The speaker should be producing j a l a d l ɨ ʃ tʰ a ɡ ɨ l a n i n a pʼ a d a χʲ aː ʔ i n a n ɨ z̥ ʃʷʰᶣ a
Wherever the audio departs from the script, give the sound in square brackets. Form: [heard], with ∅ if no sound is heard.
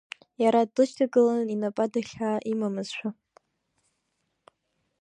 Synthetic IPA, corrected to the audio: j a [ɾ] a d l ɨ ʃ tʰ a ɡ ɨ l a n i n a pʼ a d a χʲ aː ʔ i [m] a [m] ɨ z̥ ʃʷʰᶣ a